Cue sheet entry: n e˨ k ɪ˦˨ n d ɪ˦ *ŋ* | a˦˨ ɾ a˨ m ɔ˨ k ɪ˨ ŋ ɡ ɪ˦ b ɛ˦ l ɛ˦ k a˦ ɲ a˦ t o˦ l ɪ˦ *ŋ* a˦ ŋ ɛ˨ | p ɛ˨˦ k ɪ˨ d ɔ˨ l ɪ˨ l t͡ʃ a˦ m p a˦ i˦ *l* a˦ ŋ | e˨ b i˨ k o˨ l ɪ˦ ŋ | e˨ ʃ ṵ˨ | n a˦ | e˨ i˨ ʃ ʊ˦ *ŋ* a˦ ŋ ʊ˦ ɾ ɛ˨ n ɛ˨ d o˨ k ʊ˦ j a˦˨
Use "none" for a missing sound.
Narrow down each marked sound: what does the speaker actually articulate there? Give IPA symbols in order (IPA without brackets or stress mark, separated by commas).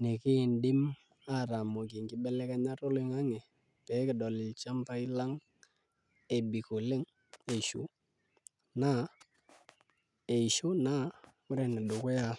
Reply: m, ŋ, l, n